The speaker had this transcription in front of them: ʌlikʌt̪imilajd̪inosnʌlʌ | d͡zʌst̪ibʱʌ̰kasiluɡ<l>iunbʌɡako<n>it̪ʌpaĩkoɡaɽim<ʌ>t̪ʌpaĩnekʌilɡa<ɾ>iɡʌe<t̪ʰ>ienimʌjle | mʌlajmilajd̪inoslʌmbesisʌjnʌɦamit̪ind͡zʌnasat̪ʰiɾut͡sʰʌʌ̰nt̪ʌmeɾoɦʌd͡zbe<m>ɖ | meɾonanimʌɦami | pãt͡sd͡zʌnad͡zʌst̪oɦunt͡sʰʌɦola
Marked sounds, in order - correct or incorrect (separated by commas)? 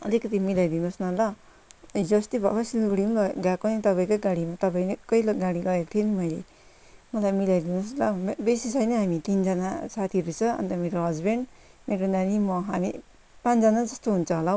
incorrect, correct, incorrect, incorrect, correct, incorrect